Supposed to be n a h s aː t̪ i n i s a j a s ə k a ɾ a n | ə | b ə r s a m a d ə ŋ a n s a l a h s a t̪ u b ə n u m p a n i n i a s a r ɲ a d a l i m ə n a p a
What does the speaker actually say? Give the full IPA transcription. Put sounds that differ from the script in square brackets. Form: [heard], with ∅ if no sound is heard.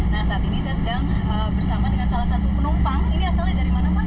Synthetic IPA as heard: n a h s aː t̪ i n i s a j a s ə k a ɾ a [ŋ] | ə | b ə r s a m a d ə ŋ a n s a l a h s a t̪ u [p] ə n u m p a [ŋ] i n i a s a [l] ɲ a d a [ɾ] i m [a] n a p a